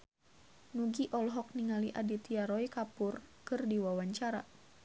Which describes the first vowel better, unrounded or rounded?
rounded